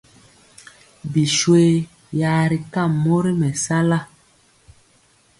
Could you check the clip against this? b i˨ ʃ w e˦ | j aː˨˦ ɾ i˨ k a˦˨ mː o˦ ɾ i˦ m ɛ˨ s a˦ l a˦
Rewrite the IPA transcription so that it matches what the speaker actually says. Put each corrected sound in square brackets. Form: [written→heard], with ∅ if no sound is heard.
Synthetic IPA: b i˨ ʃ w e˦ | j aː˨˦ ɾ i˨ k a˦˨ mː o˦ ɾ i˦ m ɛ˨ s a˦ l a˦